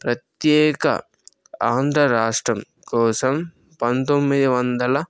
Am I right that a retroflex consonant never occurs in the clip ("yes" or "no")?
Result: no